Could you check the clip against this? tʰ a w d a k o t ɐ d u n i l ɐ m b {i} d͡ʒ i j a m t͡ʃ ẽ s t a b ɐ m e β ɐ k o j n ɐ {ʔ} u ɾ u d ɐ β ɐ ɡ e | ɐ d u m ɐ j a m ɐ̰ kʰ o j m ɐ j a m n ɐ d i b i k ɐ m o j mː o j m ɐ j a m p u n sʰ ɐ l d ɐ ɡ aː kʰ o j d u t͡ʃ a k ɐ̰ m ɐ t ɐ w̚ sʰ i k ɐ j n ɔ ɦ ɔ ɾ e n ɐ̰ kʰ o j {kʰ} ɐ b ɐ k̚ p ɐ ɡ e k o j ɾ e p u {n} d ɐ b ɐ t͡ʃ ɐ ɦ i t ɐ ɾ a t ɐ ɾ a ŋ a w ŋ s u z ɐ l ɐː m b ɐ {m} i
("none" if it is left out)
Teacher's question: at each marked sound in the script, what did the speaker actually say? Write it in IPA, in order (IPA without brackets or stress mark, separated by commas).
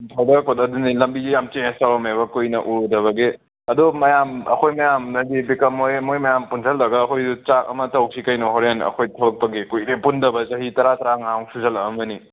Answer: i, ʔ, tʰ, n, n